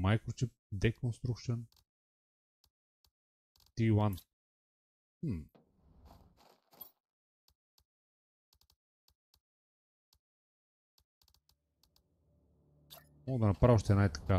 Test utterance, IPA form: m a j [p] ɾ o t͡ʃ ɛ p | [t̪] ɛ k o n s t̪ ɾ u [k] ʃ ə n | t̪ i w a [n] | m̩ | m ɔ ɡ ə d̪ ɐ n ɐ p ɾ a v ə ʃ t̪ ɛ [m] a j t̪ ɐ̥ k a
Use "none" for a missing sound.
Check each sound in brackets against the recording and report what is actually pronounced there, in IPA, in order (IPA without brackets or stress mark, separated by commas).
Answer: k, d̪, k, n, n